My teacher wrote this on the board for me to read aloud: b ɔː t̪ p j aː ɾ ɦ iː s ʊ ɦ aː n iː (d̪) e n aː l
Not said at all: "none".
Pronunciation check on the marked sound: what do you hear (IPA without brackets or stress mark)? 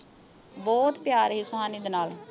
d̪